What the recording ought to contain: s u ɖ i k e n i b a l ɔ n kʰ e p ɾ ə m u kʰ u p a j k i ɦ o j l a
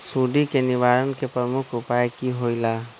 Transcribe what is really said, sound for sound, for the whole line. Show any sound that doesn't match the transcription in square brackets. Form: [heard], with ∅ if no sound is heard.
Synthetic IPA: s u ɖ i k e n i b a [ɾ] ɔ n [k] e p ɾ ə m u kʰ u p a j k i ɦ o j l a